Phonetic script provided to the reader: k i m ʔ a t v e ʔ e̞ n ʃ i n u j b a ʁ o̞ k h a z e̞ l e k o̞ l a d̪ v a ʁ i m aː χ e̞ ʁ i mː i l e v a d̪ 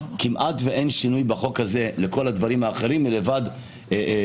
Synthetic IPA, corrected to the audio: k i m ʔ a t v e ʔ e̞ n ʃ i n u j b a χ o̞ k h a z e̞ l e k o̞ l a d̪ v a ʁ i m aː χ e̞ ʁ i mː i l e v a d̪